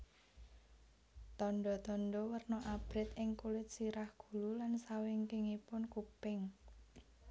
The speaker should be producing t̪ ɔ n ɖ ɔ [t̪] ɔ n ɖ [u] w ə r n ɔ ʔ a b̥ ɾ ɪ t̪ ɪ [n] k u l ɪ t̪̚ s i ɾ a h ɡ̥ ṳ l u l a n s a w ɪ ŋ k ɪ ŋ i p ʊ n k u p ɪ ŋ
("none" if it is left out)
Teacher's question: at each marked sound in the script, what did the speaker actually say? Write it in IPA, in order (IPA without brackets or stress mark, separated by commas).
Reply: t̪, ɔ, ŋ